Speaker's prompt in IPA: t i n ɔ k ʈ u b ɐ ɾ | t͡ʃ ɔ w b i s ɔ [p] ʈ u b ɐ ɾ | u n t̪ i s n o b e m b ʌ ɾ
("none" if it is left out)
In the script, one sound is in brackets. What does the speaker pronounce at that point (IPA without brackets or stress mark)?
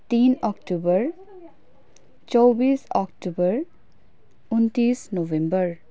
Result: k